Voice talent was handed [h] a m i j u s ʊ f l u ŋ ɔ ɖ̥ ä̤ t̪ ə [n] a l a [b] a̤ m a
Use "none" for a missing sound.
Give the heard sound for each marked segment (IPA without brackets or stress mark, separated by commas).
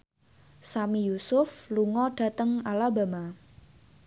s, ŋ, b